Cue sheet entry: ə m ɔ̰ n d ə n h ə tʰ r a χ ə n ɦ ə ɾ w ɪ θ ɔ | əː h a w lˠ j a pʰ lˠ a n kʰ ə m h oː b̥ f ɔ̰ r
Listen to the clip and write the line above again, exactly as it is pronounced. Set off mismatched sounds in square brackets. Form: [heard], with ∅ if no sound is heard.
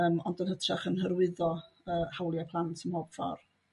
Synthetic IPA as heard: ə m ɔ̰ n d ə n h ə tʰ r a χ ə n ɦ ə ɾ w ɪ [ð] ɔ | əː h a w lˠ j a pʰ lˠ a n [tʰ] ə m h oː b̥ f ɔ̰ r